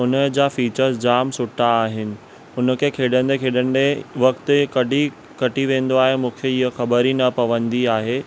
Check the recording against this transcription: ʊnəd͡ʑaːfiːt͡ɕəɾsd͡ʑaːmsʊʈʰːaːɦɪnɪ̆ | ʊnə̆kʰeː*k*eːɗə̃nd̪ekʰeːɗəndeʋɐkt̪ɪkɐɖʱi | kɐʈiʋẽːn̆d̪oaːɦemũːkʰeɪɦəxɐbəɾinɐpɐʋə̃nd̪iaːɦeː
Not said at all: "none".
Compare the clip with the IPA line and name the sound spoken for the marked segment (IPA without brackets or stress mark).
kʰ